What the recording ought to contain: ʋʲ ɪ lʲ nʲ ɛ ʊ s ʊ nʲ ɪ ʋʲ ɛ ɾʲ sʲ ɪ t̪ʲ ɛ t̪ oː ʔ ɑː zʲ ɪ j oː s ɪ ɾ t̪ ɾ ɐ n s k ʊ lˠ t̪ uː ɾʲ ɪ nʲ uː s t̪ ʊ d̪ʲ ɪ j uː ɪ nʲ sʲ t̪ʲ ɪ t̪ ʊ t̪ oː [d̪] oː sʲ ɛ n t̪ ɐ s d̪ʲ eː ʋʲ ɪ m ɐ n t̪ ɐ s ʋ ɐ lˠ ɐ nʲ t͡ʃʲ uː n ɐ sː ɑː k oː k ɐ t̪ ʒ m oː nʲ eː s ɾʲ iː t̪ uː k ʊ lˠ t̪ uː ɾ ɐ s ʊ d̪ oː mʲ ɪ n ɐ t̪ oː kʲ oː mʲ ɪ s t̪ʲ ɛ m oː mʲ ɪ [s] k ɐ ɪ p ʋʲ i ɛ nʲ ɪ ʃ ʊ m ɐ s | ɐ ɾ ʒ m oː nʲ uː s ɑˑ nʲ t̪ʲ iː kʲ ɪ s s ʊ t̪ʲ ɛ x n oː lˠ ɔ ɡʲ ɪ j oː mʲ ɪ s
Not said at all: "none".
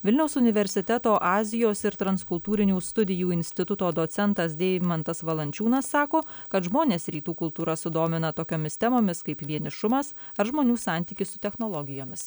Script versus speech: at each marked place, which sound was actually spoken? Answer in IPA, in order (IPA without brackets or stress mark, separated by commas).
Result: d̪, s